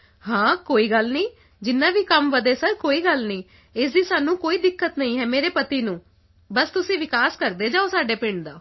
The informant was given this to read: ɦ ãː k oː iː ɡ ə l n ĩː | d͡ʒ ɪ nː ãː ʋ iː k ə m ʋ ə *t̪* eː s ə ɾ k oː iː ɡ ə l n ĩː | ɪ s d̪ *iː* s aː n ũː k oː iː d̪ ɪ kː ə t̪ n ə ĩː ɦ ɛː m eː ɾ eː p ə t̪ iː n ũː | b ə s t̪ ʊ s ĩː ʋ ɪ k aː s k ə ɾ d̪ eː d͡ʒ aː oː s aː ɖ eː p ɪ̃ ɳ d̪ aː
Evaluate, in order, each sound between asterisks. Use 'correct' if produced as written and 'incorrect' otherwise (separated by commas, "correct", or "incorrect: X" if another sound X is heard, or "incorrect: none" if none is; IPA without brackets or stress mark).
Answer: incorrect: d̪, correct